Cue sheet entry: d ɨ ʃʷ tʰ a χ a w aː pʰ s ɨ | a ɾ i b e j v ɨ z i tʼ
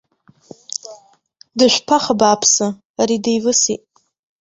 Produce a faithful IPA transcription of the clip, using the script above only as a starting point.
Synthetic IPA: d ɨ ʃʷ pʰ a χ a b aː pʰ s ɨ | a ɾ i d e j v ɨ s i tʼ